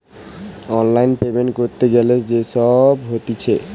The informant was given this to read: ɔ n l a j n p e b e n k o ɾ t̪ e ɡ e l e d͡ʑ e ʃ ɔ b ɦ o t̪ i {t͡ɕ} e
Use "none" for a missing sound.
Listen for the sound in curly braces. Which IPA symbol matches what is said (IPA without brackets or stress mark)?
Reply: t͡ɕʰ